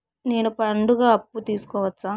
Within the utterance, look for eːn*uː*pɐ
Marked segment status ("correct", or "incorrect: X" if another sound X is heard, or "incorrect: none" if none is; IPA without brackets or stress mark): incorrect: u